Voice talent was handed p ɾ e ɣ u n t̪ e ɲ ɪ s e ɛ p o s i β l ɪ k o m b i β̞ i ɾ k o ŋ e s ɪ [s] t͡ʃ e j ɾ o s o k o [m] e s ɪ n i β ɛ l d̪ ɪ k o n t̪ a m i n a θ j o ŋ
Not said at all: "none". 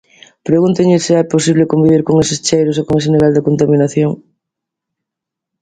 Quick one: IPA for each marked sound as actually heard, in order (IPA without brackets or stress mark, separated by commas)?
s, ŋ